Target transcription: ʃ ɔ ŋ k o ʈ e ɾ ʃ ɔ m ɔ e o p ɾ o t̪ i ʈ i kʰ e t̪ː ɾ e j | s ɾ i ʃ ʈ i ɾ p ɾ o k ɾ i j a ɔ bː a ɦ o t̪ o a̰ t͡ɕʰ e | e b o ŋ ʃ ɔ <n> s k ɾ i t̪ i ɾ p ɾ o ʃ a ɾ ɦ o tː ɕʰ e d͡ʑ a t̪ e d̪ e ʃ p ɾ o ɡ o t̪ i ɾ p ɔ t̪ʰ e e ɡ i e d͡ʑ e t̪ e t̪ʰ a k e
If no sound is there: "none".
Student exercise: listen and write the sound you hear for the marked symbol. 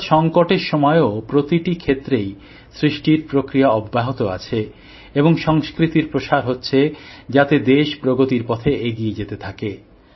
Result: ŋ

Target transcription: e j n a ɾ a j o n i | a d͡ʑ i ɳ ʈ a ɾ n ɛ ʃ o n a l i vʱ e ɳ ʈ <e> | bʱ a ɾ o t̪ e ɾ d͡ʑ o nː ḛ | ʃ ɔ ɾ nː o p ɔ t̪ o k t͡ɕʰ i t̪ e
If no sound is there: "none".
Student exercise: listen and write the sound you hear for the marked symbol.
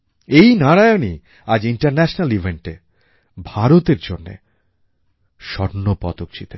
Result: e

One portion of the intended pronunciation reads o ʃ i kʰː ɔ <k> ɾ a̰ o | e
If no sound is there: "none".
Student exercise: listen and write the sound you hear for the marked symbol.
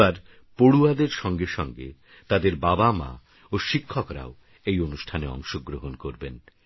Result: k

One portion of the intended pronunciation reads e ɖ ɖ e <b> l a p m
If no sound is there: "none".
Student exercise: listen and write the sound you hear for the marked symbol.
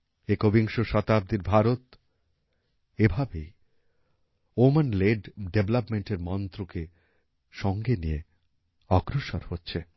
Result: b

